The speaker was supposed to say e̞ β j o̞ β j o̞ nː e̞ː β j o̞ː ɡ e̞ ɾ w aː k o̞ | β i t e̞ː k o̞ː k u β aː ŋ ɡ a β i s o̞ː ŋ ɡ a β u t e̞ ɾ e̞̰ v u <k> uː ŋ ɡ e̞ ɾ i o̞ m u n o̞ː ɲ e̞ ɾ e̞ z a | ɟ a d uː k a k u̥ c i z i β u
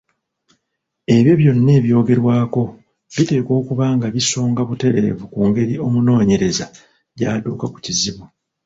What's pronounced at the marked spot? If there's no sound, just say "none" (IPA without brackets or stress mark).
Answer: k